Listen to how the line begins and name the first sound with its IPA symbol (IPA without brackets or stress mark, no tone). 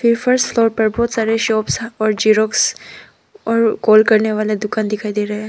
f